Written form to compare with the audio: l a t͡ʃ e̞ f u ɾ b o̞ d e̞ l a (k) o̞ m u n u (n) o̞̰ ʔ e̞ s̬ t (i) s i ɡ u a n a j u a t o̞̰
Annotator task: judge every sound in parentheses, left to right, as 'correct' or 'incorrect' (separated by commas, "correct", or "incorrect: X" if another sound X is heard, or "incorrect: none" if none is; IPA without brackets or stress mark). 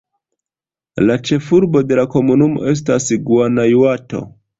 correct, incorrect: m, incorrect: a